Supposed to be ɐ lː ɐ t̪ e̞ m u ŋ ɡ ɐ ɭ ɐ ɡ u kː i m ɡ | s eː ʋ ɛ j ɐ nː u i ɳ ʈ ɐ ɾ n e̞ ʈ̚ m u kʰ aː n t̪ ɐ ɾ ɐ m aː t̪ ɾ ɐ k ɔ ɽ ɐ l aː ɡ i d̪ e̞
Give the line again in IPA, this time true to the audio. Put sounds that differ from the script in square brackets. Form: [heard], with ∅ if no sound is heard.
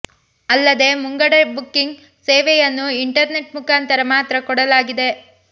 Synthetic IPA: ɐ lː ɐ [d̪] e̞ m u ŋ ɡ ɐ [ɽ] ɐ [b] u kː i [ŋ] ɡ | s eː ʋ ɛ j ɐ nː u i ɳ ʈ ɐ ɾ n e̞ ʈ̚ m u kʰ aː n t̪ ɐ ɾ ɐ m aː t̪ ɾ ɐ k ɔ ɽ ɐ l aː ɡ i d̪ e̞

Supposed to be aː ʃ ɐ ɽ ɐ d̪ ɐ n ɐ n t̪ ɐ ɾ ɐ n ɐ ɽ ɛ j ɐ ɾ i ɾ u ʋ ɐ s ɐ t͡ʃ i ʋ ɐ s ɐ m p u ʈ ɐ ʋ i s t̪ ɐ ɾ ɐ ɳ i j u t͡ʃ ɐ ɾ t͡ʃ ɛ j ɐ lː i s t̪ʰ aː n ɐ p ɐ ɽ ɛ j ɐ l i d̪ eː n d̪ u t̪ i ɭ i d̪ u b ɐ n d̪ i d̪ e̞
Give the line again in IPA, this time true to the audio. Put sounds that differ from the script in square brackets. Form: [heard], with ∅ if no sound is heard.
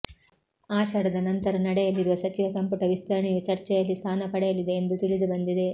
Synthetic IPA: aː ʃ ɐ ɽ ɐ d̪ ɐ n ɐ n t̪ ɐ ɾ ɐ n ɐ ɽ ɛ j ɐ [l] i ɾ u ʋ ɐ s ɐ t͡ʃ i ʋ ɐ s ɐ m p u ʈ ɐ ʋ i s t̪ ɐ ɾ ɐ ɳ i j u t͡ʃ ɐ ɾ t͡ʃ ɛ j ɐ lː i s t̪ʰ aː n ɐ p ɐ ɽ ɛ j ɐ l i d̪ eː n d̪ u t̪ i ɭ i d̪ u b ɐ n d̪ i d̪ e̞

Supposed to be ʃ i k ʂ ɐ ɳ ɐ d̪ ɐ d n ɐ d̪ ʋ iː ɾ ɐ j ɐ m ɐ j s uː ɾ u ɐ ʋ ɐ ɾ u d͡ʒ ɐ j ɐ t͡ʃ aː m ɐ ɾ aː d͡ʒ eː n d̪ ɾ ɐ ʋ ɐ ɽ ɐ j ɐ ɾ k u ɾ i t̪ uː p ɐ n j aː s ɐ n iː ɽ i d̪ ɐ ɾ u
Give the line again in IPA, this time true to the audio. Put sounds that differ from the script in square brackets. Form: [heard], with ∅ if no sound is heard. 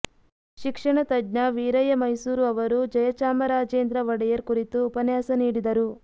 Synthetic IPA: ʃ i k ʂ ɐ ɳ ɐ [t̪] ɐ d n ɐ [∅] ʋ iː ɾ ɐ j ɐ m ɐ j s uː ɾ u ɐ ʋ ɐ ɾ u d͡ʒ ɐ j ɐ t͡ʃ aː m ɐ ɾ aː d͡ʒ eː n d̪ ɾ ɐ ʋ ɐ ɽ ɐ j ɐ ɾ k u ɾ i t̪ uː p ɐ n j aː s ɐ n iː ɽ i d̪ ɐ ɾ u

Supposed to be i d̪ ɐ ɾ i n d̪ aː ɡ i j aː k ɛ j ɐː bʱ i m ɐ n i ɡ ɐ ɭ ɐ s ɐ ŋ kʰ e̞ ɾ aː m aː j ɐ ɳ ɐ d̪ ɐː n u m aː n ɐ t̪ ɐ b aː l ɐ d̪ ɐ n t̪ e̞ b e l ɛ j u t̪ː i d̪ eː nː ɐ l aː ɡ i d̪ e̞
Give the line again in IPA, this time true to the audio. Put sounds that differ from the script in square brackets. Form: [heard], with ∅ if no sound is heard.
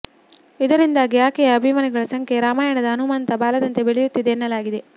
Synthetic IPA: i d̪ ɐ ɾ i n d̪ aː ɡ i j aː k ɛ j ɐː bʱ i m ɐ n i ɡ ɐ ɭ ɐ s ɐ ŋ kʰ e̞ ɾ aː m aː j ɐ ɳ ɐ d̪ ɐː n u m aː n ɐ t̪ ɐ b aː l ɐ d̪ ɐ n t̪ e̞ b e [ɭ] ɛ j u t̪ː i d̪ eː nː ɐ l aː ɡ i d̪ e̞

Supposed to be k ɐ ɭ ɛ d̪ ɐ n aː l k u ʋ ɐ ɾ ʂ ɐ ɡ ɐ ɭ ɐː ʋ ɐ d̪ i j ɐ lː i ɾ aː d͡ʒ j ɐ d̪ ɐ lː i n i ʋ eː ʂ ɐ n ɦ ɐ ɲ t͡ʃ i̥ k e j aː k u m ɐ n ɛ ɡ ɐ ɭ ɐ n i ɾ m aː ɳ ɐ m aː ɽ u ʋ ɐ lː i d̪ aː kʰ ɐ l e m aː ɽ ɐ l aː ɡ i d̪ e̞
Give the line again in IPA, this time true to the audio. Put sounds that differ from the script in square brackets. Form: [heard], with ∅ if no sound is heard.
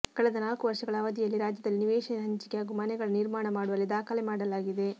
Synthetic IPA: k ɐ ɭ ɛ d̪ ɐ n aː l k u ʋ ɐ ɾ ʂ ɐ ɡ ɐ ɭ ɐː ʋ ɐ d̪ i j ɐ lː i ɾ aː d͡ʒ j ɐ d̪ ɐ lː i n i ʋ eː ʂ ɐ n ɦ ɐ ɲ t͡ʃ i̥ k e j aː [ɡ] u m ɐ n ɛ ɡ ɐ ɭ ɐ n i ɾ m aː ɳ ɐ m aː ɽ u ʋ ɐ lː i d̪ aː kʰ ɐ l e m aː ɽ ɐ l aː ɡ i d̪ e̞

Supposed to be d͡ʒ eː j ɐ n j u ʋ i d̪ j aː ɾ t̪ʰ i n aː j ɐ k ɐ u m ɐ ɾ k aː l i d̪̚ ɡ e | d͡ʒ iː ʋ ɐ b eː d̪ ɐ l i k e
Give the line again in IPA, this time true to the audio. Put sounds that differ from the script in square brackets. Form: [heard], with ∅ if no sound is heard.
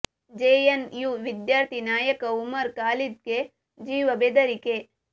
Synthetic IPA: d͡ʒ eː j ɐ n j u ʋ i d̪ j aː ɾ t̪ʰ i n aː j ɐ k ɐ u m ɐ ɾ k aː l i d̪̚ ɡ e | d͡ʒ iː ʋ ɐ b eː d̪ ɐ [ɾ] i k e

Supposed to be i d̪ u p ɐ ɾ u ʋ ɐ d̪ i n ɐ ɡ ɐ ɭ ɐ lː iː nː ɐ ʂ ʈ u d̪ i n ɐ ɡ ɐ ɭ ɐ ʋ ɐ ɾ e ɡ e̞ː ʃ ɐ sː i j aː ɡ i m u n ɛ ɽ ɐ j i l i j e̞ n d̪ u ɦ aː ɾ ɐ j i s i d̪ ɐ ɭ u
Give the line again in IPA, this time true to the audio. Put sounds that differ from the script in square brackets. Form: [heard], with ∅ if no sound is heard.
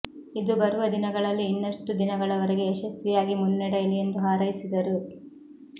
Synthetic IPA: i d̪ u [b] ɐ ɾ u ʋ ɐ d̪ i n ɐ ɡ ɐ ɭ ɐ lː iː nː ɐ ʂ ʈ u d̪ i n ɐ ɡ ɐ ɭ ɐ ʋ ɐ ɾ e ɡ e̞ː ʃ ɐ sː i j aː ɡ i m u [nː] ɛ ɽ ɐ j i l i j e̞ n d̪ u ɦ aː ɾ ɐ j i s i d̪ ɐ [ɾ] u

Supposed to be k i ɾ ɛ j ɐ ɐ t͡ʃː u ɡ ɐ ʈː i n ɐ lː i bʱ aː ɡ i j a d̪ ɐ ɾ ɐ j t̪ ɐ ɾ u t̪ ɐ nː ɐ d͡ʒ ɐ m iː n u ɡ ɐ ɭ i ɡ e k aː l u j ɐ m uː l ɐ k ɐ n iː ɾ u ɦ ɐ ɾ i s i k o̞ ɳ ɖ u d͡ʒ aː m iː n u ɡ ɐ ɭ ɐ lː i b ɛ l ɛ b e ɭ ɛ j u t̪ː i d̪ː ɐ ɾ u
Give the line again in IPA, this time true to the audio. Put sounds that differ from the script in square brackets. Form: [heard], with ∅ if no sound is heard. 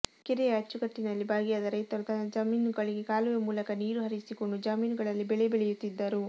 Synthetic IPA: k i ɾ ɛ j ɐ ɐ t͡ʃː u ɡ ɐ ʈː i n ɐ lː i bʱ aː ɡ i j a d̪ ɐ ɾ ɐ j t̪ ɐ ɾ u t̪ ɐ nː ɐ d͡ʒ ɐ m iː n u ɡ ɐ ɭ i ɡ e k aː l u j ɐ m uː l ɐ k ɐ n iː ɾ u ɦ ɐ ɾ i s i k o̞ ɳ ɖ u d͡ʒ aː m iː n u ɡ ɐ ɭ ɐ lː i b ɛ [ɭ] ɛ b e ɭ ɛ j u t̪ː i d̪ː ɐ ɾ u

